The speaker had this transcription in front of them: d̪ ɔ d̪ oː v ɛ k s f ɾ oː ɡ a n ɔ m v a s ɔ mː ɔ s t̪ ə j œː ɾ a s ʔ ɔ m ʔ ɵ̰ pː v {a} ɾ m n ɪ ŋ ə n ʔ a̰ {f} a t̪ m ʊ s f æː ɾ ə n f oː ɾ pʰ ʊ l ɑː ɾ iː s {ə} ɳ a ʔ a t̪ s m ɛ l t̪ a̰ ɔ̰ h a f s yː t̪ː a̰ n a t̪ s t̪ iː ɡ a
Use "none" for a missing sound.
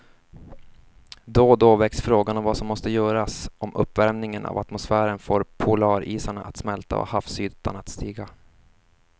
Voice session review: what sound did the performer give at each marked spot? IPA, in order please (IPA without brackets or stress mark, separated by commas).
æ, v, a